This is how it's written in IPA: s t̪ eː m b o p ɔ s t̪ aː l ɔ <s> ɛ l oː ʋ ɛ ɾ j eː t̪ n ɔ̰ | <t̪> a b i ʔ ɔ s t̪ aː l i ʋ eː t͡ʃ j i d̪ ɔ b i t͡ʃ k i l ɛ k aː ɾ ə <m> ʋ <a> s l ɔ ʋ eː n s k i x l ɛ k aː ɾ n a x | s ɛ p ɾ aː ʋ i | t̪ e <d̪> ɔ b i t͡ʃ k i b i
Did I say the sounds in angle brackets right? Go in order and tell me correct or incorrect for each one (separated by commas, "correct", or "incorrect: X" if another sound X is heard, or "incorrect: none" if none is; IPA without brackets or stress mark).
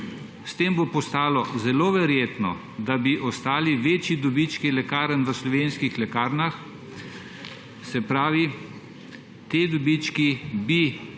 incorrect: z, incorrect: d̪, incorrect: n, incorrect: ə, correct